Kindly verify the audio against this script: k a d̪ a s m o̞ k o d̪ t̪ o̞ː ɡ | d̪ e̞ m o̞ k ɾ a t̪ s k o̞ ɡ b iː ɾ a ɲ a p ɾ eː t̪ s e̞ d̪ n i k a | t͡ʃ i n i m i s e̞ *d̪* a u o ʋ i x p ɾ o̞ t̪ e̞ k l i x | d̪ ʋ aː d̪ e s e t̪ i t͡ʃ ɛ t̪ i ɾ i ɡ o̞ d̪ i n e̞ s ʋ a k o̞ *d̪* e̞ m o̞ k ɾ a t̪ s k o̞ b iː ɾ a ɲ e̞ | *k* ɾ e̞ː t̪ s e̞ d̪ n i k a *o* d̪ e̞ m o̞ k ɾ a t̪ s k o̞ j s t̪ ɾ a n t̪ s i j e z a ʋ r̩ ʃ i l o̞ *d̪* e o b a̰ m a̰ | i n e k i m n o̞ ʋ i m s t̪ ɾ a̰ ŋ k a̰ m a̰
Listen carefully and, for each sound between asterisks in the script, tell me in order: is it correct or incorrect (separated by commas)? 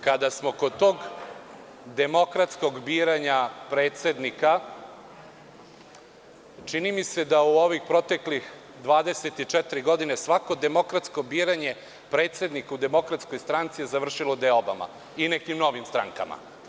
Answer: correct, correct, incorrect, incorrect, correct